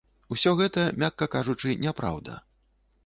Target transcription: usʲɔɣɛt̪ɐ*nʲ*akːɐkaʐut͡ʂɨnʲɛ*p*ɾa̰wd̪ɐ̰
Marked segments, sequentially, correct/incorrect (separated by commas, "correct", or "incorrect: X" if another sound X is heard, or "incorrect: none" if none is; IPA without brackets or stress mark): incorrect: mʲ, correct